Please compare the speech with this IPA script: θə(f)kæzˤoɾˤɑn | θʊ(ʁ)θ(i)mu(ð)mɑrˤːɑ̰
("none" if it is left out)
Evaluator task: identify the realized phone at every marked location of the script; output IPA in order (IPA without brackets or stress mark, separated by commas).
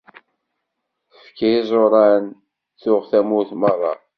f, ʁ, æ, θ